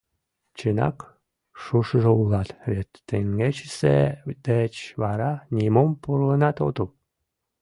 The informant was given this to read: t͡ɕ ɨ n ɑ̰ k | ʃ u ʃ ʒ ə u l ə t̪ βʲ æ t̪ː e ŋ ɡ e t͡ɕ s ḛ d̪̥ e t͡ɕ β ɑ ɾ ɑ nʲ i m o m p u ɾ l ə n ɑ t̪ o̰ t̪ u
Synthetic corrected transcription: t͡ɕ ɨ n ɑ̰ k | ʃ u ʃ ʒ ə u l ɑ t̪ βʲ e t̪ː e ŋ ɡ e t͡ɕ s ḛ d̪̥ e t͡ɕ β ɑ ɾ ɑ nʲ i m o m p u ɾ l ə n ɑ t̪ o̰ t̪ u